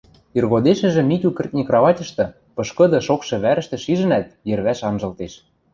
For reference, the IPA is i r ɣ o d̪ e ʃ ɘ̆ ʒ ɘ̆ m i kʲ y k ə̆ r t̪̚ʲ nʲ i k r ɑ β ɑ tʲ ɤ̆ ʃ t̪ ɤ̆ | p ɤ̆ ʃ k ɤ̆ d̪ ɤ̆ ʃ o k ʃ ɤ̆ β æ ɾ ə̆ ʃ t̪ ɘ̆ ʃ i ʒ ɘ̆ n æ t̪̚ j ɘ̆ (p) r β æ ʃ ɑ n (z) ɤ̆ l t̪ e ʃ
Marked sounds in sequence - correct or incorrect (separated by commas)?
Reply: incorrect, incorrect